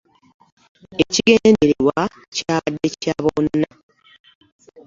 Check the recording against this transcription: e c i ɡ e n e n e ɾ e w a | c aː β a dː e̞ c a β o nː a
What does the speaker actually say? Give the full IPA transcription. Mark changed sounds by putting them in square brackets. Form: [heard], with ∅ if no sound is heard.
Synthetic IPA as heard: e c i ɡ e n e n e ɾ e w a | c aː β a dː e̞ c a β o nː a